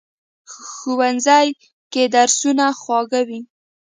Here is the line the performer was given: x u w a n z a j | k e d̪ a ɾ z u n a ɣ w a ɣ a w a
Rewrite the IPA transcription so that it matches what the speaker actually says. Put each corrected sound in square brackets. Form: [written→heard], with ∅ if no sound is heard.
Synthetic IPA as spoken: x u w a n z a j | k e d̪ a ɾ [z→s] u n a [ɣ→x] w [a→ɑ] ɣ a w [a→i]